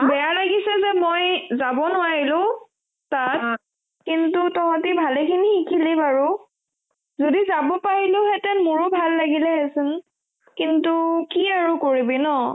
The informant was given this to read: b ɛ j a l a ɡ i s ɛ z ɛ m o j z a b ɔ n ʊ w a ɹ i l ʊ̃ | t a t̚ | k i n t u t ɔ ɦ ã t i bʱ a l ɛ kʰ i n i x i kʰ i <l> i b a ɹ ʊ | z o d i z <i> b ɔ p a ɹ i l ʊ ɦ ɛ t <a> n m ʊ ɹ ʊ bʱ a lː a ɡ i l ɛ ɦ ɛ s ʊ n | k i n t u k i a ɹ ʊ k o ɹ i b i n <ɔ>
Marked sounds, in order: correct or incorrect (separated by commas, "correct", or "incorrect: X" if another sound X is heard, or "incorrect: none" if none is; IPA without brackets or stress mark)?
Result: correct, incorrect: a, incorrect: ɛ, correct